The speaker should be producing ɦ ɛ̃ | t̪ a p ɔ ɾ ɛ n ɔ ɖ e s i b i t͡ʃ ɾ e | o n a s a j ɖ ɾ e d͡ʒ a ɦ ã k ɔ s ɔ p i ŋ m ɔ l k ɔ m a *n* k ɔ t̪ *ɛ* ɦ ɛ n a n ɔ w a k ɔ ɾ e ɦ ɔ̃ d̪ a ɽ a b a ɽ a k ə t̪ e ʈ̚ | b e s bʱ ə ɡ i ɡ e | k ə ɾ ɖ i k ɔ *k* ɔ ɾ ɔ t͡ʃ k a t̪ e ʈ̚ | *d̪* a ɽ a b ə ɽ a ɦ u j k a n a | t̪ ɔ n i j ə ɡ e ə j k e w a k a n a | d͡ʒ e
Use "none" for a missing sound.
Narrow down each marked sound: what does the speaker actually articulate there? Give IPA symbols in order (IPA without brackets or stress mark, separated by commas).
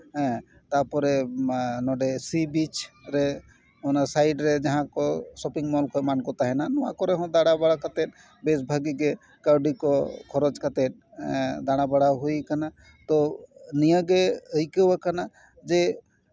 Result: n, a, kʰ, d̪